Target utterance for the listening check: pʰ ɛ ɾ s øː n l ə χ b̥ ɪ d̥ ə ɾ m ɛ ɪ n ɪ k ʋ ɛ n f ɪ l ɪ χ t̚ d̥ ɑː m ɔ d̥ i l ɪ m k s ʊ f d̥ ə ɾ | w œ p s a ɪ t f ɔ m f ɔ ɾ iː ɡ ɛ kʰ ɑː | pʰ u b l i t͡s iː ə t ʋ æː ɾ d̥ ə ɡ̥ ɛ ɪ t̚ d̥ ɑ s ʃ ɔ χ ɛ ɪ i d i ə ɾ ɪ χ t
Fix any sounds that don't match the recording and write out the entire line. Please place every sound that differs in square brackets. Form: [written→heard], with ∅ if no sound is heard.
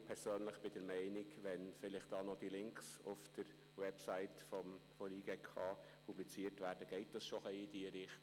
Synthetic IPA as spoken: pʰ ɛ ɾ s øː n l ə χ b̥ ɪ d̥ ə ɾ m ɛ ɪ n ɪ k ʋ ɛ n f ɪ l ɪ χ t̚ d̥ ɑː [m→n] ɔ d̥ i l ɪ [m→ŋ] k s ʊ f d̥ ə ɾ | w [œ→ɛ] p s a ɪ t f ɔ m f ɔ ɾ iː ɡ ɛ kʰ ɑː | pʰ u b l i t͡s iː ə t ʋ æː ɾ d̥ ə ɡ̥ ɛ ɪ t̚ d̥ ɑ s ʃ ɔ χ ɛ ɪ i d i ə ɾ ɪ χ t